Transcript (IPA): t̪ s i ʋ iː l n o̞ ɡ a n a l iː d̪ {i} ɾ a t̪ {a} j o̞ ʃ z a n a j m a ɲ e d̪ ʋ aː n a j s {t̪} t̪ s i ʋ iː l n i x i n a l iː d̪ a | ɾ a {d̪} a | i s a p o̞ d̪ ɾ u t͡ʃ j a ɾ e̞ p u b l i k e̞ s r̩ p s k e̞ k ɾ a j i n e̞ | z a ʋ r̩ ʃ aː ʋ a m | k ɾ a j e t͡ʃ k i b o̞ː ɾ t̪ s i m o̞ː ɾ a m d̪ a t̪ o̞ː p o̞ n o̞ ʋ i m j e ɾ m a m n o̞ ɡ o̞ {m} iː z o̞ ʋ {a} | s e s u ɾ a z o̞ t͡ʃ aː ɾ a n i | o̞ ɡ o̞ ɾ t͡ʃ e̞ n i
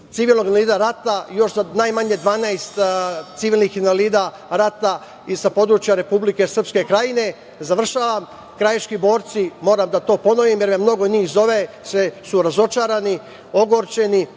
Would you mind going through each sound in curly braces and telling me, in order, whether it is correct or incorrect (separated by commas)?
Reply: incorrect, correct, correct, incorrect, incorrect, incorrect